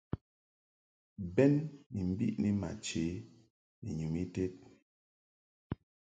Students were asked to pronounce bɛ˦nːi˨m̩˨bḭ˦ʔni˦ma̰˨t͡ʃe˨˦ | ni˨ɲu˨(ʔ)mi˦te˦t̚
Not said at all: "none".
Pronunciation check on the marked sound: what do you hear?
none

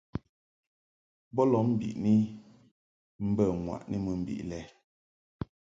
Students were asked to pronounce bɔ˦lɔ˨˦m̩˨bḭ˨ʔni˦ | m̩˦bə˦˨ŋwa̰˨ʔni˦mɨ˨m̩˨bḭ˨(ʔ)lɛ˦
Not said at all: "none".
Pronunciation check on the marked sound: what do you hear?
ʔ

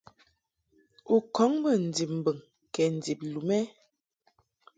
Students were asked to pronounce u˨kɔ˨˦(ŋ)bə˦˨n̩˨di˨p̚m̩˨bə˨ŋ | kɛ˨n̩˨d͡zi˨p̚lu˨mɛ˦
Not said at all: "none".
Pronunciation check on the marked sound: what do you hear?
ŋ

